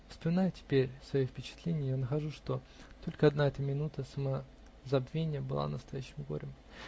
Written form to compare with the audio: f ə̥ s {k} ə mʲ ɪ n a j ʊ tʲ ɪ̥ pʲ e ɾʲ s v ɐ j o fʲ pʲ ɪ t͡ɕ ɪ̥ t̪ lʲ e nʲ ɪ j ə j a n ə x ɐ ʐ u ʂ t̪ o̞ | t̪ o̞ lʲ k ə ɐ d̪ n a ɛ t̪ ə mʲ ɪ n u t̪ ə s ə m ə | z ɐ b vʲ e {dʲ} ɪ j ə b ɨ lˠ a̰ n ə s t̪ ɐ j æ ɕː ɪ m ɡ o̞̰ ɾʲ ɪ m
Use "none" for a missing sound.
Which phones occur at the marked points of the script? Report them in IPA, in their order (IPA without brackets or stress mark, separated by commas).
p, nʲ